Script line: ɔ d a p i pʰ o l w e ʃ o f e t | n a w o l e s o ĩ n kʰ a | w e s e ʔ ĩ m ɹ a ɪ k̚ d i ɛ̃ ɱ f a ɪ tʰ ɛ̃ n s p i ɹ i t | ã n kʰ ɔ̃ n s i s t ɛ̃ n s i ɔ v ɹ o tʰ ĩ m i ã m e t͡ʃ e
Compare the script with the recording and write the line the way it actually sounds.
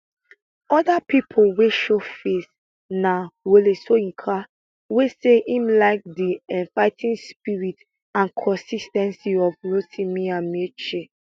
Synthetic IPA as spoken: ɔ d a p i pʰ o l w e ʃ o f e s | n a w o l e s o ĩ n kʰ a | w e s e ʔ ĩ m l a ɪ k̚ d i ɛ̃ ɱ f a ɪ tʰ ĩ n s p i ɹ i t | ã n kʰ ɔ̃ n s i s t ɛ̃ n s i ɔ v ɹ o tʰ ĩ m i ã m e t͡ʃ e